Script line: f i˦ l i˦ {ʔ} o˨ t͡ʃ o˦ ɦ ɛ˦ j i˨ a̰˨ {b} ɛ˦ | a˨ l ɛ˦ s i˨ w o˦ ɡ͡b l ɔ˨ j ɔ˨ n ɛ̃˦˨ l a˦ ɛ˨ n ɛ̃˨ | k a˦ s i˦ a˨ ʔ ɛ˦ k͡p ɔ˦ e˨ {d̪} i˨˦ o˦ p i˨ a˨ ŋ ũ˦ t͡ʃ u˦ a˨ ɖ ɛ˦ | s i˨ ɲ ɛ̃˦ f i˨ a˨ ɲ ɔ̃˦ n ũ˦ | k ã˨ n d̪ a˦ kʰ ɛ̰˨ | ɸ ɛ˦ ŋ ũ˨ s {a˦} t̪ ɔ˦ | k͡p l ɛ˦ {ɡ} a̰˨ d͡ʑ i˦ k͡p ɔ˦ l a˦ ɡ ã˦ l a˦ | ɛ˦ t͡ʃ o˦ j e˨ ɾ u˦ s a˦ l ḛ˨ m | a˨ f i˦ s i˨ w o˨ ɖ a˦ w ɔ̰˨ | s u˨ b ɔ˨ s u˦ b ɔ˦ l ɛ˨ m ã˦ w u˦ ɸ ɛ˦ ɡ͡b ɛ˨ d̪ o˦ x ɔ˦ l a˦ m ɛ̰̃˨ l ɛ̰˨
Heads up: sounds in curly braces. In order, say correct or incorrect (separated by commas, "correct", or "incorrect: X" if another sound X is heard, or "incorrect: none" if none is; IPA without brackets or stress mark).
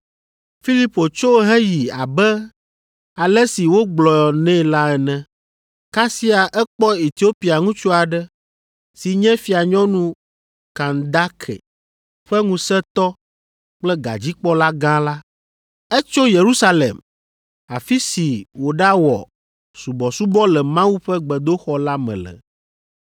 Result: incorrect: p, correct, incorrect: t̪, incorrect: ɛ˦, correct